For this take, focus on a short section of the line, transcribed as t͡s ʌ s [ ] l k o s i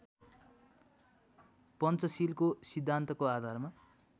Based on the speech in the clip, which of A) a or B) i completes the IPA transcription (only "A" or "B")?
B